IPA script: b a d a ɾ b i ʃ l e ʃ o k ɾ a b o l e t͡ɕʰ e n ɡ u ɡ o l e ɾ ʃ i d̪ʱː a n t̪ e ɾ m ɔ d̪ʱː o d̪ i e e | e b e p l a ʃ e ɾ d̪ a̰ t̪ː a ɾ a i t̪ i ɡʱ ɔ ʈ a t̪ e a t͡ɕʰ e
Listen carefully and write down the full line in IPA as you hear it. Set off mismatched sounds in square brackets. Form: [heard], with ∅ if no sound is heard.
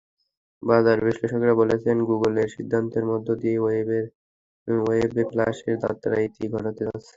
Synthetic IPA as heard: b a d a ɾ b i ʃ l e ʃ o k ɾ a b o l e t͡ɕʰ e n ɡ u ɡ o l e ɾ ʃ i d̪ʱː a n t̪ e ɾ m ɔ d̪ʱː o d̪ i e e | e b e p l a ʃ e ɾ d̪ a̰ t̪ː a ɾ a i t̪ i ɡʱ ɔ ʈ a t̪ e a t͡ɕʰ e